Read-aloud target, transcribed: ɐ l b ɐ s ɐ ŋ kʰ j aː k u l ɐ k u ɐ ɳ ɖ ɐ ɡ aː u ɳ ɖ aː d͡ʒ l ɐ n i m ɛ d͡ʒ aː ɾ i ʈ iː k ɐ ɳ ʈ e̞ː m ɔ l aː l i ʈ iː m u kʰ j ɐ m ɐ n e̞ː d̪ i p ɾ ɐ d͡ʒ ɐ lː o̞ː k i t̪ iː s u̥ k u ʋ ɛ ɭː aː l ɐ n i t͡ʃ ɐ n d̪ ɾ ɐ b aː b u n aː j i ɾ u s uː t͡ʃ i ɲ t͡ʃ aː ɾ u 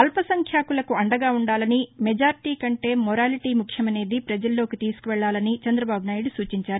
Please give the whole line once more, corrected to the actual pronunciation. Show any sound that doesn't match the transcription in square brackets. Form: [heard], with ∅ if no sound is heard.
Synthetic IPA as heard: ɐ l [p] ɐ s ɐ ŋ kʰ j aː k u l ɐ k u ɐ ɳ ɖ ɐ ɡ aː u ɳ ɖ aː [∅] l ɐ n i m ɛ d͡ʒ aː ɾ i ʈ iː k ɐ ɳ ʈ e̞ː m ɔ [ɾ] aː l i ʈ iː m u kʰ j ɐ m ɐ n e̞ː d̪ i p ɾ ɐ d͡ʒ ɐ lː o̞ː k i t̪ iː s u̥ k u ʋ ɛ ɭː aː l ɐ n i t͡ʃ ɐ n d̪ ɾ ɐ b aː b u n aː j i [ɽ] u s uː t͡ʃ i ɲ t͡ʃ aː ɾ u